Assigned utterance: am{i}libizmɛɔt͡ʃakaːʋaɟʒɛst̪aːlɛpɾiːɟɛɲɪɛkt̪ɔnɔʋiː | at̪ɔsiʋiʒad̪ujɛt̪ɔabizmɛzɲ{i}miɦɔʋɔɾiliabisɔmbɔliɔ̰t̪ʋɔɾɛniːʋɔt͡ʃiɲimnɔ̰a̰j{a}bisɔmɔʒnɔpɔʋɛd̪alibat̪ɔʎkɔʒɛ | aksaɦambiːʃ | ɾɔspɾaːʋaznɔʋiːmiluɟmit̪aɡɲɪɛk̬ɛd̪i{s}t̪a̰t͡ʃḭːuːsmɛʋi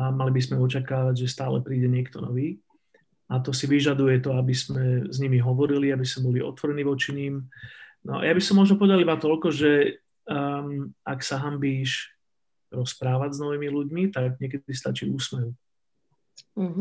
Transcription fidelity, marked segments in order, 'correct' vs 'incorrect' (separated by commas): incorrect, correct, correct, correct